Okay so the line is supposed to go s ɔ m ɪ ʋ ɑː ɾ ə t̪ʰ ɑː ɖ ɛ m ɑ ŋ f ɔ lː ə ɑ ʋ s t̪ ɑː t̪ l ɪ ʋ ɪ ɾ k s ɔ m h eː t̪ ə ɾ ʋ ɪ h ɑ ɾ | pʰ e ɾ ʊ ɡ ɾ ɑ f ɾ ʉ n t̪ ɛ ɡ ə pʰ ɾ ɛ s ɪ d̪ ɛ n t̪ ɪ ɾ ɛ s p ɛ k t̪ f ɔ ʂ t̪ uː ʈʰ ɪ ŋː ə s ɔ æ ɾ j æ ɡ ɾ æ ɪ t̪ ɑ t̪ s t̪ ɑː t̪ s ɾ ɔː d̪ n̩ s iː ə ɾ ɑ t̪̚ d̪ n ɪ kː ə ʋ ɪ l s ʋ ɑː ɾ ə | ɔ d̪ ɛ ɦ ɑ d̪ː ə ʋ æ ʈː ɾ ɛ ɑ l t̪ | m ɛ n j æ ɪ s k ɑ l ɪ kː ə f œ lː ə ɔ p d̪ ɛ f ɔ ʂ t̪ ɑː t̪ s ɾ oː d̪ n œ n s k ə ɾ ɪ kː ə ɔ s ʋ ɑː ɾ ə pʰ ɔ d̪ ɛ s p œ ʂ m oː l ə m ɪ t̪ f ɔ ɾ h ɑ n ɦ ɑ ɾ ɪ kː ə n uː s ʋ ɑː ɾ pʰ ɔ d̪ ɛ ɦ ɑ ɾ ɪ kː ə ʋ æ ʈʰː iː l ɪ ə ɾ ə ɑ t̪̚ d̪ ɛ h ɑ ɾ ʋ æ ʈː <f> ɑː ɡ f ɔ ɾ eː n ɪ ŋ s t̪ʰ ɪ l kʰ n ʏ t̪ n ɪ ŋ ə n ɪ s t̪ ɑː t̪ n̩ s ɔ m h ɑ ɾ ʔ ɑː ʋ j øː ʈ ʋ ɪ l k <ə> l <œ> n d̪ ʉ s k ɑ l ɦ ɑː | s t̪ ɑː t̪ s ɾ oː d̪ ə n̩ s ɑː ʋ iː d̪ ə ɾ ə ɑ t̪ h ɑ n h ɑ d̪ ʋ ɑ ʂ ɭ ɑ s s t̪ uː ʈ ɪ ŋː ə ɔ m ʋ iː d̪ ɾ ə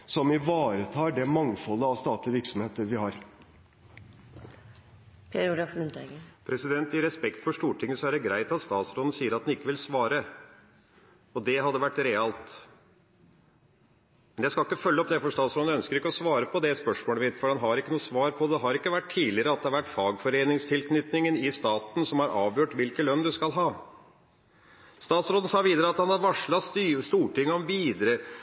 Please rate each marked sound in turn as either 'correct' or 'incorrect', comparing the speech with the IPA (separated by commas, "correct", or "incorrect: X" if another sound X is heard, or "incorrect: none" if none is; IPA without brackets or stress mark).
correct, correct, correct